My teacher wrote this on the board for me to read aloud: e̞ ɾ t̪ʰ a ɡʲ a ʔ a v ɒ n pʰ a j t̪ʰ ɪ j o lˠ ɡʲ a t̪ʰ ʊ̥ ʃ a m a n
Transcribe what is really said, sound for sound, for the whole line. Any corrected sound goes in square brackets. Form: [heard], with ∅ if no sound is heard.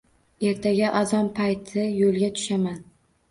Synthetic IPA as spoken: e̞ ɾ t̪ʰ a ɡʲ a ʔ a [z] ɒ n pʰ a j t̪ʰ ɪ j o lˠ ɡʲ a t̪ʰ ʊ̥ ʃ a m a n